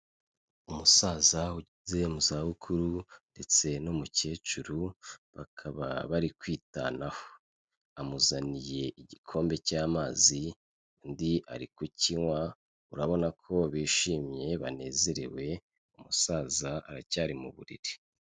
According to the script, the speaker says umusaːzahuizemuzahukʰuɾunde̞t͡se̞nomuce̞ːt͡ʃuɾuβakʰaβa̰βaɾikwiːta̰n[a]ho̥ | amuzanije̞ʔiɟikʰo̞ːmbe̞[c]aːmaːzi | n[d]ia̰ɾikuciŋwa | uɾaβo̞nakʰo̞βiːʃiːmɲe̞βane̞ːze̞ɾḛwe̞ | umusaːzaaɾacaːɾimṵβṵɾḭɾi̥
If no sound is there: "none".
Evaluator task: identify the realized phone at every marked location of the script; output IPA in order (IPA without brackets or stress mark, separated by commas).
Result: a, c, d